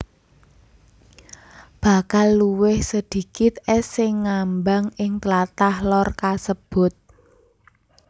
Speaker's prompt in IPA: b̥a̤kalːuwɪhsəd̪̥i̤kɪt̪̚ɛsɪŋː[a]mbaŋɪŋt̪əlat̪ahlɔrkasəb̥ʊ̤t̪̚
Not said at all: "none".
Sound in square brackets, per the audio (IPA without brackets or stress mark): a